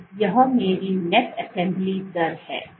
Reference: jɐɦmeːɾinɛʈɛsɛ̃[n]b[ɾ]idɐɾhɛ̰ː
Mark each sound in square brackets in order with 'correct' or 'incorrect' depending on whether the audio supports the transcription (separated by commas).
incorrect, incorrect